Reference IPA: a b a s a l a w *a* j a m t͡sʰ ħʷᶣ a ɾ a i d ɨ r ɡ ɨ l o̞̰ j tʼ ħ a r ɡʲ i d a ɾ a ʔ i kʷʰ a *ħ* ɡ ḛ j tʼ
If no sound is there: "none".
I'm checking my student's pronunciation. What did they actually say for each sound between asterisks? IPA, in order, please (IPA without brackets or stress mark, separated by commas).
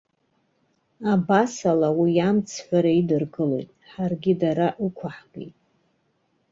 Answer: i, ħ